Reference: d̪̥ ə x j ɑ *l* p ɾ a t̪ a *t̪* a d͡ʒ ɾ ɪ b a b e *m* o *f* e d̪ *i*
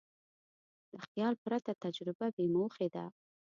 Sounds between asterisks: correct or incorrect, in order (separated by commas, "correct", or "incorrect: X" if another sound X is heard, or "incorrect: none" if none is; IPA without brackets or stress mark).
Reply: correct, correct, correct, incorrect: x, incorrect: a